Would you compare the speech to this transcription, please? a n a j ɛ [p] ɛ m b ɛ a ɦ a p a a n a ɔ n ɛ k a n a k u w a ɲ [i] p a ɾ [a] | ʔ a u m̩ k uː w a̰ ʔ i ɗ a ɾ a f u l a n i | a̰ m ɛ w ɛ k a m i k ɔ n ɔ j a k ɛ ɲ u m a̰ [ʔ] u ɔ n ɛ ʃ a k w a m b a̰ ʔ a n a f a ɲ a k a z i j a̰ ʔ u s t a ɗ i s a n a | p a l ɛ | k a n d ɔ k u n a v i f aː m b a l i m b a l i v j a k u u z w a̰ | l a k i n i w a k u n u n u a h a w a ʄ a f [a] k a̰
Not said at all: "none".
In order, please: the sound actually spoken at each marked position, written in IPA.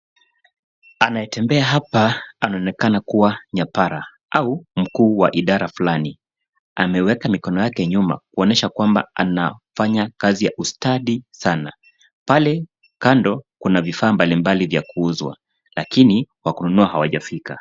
t, a, a, k, i

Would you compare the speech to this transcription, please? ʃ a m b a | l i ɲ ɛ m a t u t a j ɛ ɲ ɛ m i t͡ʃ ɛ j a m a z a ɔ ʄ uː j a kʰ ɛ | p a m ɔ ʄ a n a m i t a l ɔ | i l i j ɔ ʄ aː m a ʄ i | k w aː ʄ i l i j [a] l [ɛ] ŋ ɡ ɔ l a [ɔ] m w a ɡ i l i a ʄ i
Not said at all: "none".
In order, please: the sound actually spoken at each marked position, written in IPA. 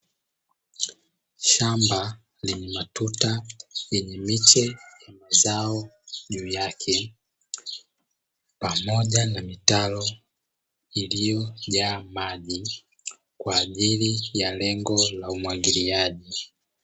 a, ɛ, u

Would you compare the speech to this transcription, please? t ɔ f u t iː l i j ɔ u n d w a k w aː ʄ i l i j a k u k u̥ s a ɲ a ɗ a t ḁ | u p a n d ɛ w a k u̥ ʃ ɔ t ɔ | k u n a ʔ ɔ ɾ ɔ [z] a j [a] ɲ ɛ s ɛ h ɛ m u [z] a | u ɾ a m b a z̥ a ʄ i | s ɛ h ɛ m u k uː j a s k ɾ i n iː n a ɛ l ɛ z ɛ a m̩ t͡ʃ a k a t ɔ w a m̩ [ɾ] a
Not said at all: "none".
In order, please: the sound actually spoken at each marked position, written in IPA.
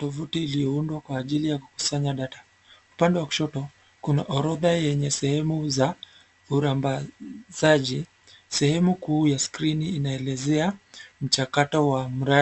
ð, ɛ, z, ɾ

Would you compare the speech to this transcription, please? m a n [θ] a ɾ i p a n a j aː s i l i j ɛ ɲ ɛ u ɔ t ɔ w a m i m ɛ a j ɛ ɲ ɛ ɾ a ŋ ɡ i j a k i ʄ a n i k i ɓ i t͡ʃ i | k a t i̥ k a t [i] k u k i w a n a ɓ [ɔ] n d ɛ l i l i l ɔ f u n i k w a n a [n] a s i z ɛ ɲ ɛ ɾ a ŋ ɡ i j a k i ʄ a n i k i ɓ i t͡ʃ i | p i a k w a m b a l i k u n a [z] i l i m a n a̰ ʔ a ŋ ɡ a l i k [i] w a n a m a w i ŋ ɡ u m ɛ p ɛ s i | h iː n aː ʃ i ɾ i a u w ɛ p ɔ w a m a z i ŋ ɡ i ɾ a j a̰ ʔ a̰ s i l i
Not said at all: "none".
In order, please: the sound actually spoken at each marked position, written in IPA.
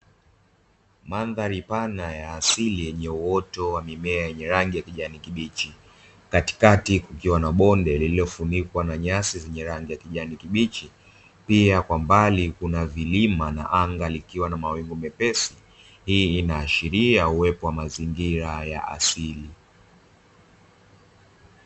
ð, i, ɔ, ɲ, v, i

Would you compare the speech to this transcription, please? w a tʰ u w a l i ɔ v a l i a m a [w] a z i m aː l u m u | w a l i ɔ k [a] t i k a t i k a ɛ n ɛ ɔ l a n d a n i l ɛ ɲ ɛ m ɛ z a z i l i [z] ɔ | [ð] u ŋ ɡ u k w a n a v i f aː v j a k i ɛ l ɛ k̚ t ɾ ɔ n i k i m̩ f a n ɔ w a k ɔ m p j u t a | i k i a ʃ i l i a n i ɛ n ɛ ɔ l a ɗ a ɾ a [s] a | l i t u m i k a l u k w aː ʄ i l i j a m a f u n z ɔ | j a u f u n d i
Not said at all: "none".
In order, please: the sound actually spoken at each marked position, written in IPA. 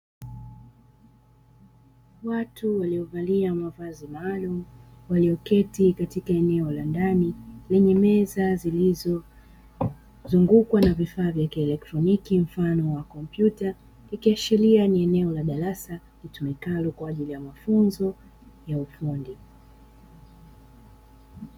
v, ɛ, z, z, s

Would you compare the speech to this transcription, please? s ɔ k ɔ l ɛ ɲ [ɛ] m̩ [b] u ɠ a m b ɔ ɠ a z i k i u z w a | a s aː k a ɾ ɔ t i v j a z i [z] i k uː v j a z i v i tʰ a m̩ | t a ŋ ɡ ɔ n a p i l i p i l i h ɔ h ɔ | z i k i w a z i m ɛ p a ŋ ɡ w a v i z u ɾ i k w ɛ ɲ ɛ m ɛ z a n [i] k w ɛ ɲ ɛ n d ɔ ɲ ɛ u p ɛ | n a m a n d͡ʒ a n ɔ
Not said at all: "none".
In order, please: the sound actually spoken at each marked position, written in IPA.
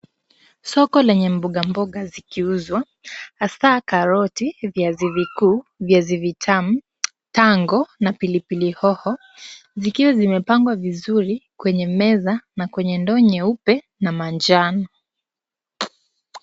ɛ, b, v, a

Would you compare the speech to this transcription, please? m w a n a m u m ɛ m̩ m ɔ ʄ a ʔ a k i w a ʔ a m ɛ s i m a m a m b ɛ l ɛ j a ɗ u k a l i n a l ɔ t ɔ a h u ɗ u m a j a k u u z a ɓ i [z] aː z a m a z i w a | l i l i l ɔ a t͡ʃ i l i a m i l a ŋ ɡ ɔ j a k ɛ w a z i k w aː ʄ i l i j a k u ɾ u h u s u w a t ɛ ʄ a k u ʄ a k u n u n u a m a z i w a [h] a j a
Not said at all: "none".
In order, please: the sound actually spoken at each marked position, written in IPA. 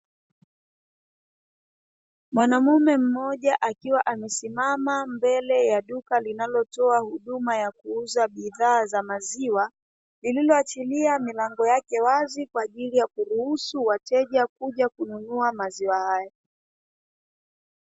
ð, h

